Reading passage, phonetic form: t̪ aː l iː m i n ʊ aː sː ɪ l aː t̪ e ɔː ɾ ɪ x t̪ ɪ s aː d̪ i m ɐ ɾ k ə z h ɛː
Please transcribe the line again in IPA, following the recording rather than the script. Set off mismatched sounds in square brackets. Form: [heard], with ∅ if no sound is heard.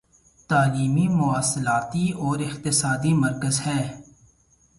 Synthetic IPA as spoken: t̪ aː l iː m i [m] ʊ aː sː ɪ l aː t̪ [i] ɔː ɾ ɪ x t̪ ɪ s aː d̪ i m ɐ ɾ k ə z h ɛː